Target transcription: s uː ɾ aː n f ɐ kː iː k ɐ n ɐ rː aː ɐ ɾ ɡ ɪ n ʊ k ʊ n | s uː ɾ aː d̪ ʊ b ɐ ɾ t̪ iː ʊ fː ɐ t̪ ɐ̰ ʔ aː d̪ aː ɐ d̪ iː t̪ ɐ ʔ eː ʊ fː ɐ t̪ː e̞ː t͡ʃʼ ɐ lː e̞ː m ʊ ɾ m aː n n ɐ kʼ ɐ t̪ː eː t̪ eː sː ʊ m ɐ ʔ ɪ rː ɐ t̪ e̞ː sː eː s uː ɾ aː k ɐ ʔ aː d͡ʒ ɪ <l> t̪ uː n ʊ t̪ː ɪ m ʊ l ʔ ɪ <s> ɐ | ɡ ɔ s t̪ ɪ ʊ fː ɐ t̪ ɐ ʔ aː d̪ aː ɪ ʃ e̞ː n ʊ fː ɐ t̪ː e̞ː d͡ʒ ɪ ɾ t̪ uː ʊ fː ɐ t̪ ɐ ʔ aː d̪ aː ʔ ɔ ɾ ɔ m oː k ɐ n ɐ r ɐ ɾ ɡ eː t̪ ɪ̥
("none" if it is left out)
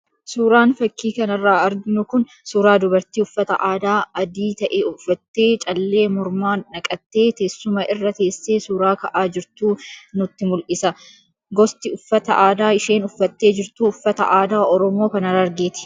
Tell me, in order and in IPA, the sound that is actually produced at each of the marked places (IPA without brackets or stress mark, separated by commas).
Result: ɾ, s